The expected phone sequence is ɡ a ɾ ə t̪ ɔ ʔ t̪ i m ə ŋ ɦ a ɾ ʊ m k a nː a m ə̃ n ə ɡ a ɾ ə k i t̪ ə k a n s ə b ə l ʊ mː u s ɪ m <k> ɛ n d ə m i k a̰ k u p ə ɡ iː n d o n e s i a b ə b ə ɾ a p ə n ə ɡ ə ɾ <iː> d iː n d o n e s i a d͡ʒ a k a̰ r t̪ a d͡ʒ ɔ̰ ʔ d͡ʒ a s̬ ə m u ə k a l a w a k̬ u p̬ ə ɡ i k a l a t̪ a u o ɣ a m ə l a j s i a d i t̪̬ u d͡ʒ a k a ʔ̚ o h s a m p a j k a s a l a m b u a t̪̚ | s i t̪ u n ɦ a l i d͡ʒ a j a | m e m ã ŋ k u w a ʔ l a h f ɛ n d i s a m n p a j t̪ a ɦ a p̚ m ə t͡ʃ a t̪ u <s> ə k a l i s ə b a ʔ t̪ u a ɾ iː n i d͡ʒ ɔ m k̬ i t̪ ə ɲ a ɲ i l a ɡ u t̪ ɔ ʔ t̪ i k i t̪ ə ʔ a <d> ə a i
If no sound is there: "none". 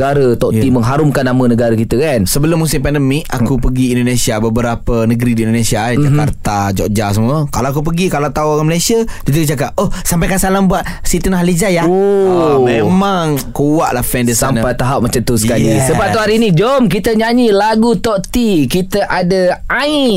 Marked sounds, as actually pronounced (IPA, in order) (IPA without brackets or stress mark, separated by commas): p, i, s, d